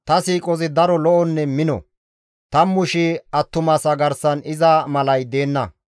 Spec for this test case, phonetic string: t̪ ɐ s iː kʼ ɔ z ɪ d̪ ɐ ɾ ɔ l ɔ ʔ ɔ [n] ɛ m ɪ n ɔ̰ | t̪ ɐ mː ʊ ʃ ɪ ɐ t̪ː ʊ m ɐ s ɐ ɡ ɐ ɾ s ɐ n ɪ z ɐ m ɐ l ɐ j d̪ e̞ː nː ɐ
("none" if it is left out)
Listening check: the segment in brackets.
nː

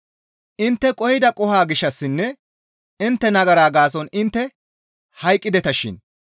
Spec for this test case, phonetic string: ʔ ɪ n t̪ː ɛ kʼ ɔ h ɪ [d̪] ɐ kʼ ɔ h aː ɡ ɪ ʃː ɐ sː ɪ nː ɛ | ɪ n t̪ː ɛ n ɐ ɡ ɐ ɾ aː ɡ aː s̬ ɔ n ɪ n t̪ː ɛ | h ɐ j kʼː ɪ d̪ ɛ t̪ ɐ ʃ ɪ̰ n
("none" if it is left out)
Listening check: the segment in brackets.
d̪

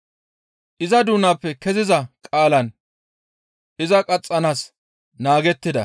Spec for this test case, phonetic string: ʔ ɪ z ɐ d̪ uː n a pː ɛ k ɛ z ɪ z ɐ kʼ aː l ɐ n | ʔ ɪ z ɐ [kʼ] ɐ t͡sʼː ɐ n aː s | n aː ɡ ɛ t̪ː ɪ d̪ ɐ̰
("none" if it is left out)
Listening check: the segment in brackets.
kʼ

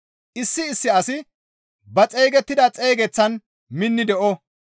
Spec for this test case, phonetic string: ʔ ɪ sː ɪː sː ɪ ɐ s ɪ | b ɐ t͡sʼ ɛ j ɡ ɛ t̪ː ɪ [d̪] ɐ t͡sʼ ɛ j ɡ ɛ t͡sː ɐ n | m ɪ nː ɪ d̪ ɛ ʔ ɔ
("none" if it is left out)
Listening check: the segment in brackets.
d̪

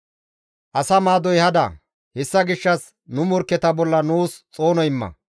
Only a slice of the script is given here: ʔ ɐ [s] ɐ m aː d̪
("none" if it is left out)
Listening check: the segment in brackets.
s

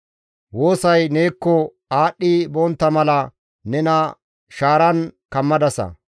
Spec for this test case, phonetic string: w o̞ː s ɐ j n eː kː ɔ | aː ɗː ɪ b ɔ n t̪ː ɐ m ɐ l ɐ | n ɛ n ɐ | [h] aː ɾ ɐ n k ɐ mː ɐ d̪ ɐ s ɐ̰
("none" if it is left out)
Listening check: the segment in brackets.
ʃ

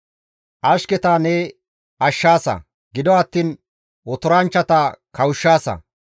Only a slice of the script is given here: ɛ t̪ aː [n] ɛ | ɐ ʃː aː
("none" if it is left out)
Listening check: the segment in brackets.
n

